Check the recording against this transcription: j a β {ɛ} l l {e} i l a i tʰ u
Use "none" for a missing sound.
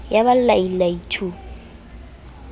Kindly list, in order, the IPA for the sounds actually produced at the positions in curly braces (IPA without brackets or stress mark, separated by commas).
a, a